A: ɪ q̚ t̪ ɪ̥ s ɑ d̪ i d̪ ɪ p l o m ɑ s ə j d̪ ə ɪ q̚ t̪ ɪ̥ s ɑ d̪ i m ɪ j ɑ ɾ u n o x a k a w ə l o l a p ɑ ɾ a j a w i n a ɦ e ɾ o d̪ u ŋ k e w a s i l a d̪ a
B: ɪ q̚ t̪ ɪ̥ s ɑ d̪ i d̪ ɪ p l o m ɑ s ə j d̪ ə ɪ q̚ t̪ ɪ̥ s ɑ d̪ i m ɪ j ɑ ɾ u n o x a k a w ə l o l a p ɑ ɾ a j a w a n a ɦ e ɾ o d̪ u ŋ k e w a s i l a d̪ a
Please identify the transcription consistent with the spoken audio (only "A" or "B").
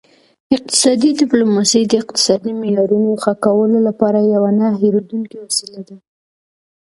B